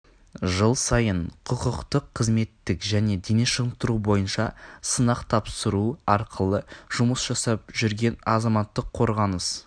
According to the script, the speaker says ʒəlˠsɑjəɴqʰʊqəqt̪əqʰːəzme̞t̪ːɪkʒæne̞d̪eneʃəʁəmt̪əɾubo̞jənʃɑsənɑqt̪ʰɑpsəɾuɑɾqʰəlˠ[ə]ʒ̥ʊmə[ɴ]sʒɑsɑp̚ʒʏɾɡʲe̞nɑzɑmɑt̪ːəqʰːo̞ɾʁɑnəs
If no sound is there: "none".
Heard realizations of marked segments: ə, none

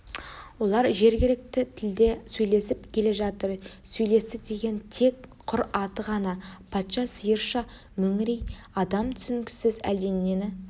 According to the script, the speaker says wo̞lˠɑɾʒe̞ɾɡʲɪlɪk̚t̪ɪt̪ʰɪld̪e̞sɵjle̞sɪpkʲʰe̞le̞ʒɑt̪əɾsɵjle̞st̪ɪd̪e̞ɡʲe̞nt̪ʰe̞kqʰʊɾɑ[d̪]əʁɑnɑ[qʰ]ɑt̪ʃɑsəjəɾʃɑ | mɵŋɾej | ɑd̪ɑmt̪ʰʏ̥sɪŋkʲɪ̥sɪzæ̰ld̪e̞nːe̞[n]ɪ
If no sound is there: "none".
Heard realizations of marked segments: t̪, pʰ, n

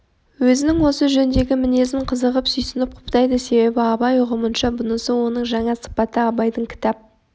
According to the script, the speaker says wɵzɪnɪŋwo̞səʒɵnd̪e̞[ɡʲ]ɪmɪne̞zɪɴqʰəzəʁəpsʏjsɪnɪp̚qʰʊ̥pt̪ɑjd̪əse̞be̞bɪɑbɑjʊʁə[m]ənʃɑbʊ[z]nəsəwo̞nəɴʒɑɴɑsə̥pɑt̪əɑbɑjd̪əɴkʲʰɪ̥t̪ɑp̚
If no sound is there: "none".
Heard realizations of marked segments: ɡʲ, m, none

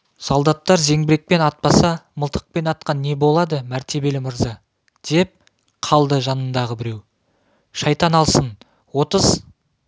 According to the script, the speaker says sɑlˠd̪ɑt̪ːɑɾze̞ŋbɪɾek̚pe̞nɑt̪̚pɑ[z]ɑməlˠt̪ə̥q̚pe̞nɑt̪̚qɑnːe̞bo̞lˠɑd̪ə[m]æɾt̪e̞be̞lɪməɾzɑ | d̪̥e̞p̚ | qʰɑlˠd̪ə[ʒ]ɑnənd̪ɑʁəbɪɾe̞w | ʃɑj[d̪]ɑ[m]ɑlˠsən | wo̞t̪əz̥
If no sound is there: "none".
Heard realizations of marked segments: s, m, ʒ, t̪, n

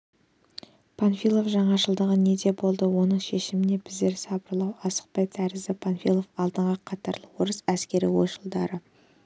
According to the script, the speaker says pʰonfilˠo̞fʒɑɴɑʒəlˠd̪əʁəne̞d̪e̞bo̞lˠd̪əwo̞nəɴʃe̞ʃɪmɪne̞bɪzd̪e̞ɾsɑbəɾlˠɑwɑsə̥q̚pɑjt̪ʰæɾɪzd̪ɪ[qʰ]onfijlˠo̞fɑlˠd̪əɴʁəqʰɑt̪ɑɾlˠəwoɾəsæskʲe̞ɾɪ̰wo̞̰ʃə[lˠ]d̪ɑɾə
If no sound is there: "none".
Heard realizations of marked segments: pʰ, lˠ

